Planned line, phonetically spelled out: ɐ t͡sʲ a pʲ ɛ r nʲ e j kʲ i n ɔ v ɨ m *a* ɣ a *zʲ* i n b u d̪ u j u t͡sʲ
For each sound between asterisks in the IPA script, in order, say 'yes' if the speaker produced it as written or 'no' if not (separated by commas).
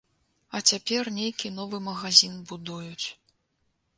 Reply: no, yes